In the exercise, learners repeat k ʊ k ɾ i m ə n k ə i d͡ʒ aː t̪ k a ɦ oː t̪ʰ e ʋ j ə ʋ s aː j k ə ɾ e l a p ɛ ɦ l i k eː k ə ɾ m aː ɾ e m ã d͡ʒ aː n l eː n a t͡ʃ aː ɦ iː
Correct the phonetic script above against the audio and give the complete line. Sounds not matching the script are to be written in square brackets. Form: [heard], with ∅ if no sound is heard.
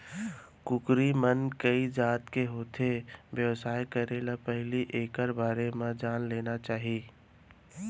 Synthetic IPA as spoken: k ʊ k ɾ i m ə n k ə i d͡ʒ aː t̪ k [e] ɦ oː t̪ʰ e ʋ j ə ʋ s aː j k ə ɾ e l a p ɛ ɦ l i [ʔ] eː k ə ɾ [b] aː ɾ e m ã d͡ʒ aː n l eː n a t͡ʃ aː ɦ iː